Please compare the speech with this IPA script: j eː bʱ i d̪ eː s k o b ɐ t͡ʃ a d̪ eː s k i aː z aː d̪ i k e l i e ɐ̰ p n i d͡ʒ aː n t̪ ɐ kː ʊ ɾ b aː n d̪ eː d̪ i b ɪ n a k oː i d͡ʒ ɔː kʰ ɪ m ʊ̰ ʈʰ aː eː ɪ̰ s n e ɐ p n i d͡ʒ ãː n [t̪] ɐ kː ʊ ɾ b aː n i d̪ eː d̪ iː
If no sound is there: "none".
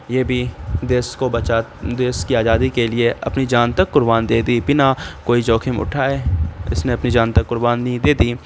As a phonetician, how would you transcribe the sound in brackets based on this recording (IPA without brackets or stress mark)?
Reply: t̪